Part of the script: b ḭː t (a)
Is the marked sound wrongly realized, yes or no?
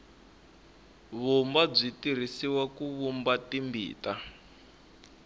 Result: no